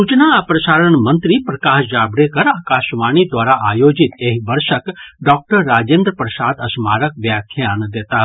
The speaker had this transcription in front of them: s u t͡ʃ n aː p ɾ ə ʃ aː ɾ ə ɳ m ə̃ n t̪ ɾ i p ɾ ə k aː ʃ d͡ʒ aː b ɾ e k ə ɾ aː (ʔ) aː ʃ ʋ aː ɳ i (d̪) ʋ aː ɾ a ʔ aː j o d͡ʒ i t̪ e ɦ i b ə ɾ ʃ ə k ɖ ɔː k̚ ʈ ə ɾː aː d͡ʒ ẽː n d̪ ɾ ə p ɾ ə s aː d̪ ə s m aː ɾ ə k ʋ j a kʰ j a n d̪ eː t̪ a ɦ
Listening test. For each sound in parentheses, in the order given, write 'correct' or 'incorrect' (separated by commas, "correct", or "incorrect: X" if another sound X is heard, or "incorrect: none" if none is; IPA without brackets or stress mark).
incorrect: k, correct